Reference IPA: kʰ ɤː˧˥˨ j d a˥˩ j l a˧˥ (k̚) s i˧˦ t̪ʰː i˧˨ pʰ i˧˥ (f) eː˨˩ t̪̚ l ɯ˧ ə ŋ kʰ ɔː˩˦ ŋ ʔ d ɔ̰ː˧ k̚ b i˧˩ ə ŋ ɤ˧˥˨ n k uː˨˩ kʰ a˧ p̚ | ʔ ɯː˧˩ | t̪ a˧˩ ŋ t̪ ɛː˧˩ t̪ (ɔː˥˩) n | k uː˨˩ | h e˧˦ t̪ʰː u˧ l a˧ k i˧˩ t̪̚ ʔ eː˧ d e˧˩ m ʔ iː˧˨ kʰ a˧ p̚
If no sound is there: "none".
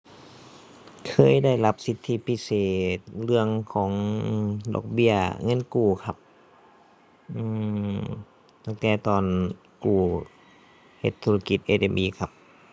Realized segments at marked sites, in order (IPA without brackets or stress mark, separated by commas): p̚, s, ɔː˨˩